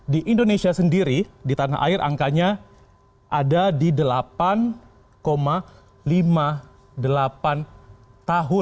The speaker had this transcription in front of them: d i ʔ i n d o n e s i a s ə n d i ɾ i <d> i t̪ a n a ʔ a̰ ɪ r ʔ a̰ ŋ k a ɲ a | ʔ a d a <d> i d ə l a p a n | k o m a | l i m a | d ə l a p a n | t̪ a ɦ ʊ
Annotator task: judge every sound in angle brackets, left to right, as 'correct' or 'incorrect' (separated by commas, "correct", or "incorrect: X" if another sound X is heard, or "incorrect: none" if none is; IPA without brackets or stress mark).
correct, correct